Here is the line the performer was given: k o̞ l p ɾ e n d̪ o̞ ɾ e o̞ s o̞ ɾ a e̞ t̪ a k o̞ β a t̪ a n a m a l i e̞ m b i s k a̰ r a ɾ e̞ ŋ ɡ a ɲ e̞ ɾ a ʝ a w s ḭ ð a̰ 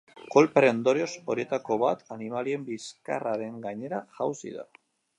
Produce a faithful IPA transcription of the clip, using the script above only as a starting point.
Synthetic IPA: k o̞ l p ɾ e n d̪ o̞ ɾ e o̞ s o̞ ɾ i e̞ t̪ a k o̞ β a t̪ a n i m a l i e̞ m b i s k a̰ r a ɾ e̞ ŋ ɡ a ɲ e̞ ɾ a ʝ a w s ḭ ð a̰